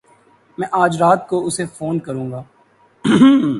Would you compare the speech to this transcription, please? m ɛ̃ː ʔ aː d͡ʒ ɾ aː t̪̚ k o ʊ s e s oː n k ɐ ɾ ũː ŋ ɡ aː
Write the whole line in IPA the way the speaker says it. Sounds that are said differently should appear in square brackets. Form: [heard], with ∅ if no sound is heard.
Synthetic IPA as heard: m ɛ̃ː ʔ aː d͡ʒ ɾ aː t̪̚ k o ʊ s e [f] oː n k ɐ ɾ ũː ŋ ɡ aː